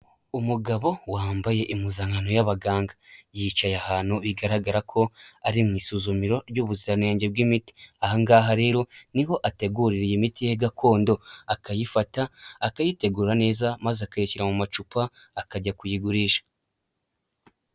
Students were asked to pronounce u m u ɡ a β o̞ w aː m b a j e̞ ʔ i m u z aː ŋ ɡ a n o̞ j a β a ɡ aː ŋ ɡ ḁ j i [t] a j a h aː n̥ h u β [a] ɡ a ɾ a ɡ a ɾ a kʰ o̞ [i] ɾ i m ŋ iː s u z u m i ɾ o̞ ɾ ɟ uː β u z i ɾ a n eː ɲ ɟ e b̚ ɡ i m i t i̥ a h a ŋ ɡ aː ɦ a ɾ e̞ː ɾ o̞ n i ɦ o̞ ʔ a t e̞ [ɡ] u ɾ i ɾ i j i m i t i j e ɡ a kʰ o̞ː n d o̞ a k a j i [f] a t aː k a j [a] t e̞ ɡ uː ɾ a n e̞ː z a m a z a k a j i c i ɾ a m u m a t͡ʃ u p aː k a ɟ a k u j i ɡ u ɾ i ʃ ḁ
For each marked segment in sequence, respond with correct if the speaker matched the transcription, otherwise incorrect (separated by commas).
incorrect, incorrect, incorrect, correct, correct, incorrect